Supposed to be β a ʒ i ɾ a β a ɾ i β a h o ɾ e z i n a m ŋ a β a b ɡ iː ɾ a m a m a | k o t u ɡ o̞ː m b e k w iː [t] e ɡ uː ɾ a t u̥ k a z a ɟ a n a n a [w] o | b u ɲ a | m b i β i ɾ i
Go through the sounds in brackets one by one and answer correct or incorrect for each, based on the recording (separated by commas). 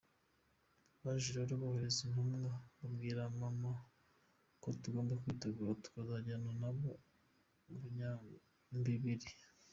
correct, incorrect